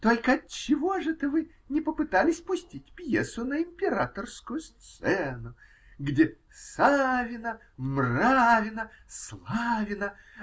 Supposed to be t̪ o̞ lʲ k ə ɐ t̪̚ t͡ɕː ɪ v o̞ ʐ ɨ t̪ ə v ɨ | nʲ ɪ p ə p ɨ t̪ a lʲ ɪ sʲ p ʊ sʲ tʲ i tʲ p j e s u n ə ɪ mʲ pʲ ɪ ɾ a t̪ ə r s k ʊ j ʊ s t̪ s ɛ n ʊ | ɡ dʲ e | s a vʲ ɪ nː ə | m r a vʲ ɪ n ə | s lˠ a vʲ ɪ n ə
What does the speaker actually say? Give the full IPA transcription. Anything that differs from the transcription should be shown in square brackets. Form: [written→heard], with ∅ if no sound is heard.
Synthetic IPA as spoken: t̪ o̞ lʲ k ə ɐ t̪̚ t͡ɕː ɪ v o̞ ʐ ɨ t̪ ə v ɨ | nʲ ɪ p ə p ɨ t̪ a lʲ ɪ sʲ p ʊ sʲ tʲ i tʲ p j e s [u→ʊ] n ə ɪ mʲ pʲ ɪ ɾ a t̪ ə r s k ʊ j ʊ s t̪ s ɛ n ʊ | ɡ dʲ e | s a vʲ ɪ [nː→n] ə | m r a vʲ ɪ n ə | s lˠ a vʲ ɪ n ə